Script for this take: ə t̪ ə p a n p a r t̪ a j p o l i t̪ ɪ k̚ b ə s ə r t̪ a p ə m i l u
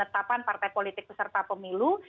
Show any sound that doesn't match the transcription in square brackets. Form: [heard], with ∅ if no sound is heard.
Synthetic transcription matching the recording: ə t̪ [a] p a n p a r t̪ a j p o l i t̪ ɪ k̚ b ə s ə r t̪ a p ə m i l u